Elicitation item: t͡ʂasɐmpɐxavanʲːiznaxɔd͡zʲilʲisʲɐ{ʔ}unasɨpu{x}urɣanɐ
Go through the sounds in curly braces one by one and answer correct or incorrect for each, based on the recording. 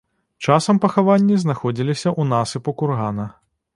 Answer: correct, incorrect

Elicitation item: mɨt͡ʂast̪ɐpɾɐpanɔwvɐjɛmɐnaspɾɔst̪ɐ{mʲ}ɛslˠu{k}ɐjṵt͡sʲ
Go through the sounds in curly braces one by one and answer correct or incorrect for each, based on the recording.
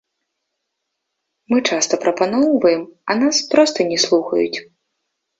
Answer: incorrect, incorrect

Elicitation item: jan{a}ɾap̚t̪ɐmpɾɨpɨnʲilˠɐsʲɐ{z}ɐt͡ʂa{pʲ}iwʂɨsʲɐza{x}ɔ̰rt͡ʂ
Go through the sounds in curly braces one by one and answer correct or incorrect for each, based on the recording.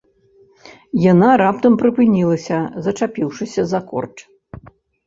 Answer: correct, correct, correct, incorrect

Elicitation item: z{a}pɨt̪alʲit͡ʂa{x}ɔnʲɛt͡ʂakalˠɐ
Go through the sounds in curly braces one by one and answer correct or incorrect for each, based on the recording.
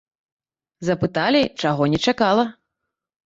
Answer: incorrect, incorrect

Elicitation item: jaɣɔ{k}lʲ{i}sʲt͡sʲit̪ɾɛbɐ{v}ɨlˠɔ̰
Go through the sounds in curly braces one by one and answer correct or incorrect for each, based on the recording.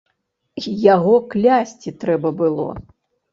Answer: correct, incorrect, incorrect

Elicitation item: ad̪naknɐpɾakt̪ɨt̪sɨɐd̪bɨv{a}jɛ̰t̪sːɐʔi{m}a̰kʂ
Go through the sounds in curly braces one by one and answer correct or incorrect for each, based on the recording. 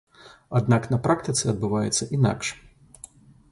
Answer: correct, incorrect

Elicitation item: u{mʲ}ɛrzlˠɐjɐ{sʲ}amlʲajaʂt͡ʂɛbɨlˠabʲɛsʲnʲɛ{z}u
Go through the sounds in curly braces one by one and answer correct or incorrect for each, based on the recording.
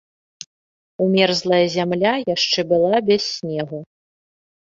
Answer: correct, incorrect, incorrect

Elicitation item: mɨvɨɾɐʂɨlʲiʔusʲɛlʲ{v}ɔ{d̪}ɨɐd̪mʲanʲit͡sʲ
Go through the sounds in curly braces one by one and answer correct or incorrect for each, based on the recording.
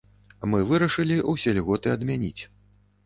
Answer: incorrect, incorrect

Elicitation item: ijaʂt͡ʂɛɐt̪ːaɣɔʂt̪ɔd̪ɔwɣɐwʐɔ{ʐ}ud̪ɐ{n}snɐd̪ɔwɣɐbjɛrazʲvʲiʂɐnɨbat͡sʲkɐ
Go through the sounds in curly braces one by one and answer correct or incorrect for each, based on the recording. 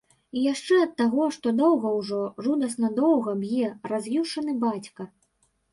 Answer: correct, incorrect

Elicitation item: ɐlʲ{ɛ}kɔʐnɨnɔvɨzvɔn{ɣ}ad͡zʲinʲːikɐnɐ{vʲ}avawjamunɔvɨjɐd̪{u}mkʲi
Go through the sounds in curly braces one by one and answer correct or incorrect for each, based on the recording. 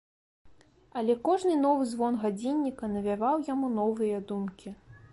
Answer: correct, correct, correct, correct

